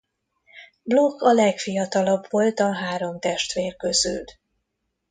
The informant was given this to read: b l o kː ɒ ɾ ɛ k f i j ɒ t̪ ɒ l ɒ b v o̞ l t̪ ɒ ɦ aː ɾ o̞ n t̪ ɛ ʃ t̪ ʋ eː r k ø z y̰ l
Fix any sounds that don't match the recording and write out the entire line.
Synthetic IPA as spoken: b l o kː ɒ l ɛ k f i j ɒ t̪ ɒ l ɒ b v o̞ l t̪ ɒ ɦ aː ɾ o̞ m t̪ ɛ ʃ t̪ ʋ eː r k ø z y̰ l